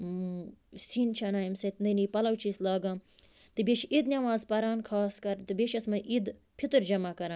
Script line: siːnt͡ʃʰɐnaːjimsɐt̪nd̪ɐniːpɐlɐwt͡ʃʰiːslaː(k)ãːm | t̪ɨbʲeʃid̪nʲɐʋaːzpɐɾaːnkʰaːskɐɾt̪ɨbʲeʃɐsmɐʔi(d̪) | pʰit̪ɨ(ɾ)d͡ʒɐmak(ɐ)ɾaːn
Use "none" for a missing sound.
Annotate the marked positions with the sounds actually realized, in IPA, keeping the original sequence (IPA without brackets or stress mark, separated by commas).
ɡ, d̪, ɾ, ɐ